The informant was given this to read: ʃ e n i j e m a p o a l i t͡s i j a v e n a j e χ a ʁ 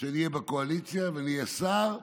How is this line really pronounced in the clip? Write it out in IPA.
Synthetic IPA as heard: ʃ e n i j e b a k o a l i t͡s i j a v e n i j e s a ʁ